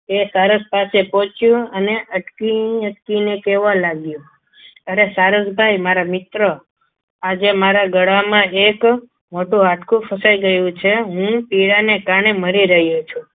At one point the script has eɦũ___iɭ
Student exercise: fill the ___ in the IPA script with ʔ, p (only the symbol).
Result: p